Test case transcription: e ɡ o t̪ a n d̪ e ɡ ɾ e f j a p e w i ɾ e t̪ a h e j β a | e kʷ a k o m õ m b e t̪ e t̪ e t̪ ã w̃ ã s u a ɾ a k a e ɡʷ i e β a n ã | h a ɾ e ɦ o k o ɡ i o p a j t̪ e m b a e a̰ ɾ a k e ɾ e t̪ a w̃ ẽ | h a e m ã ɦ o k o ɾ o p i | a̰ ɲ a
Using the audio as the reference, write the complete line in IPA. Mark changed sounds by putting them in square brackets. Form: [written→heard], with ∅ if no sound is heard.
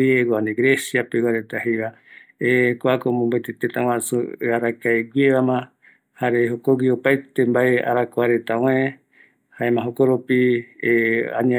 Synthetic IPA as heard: e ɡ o [t̪→∅] a n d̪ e ɡ ɾ e [f→s] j a p e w [i→a] ɾ e t̪ a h e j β a | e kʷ a k o m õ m b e t̪ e t̪ e t̪ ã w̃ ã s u a ɾ a k a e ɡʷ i e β a [n→m] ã | h a ɾ e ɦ o k o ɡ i o p a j t̪ e m b a e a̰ ɾ a k [e→a] ɾ e t̪ a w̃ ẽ | h a e m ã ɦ o k o ɾ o p i | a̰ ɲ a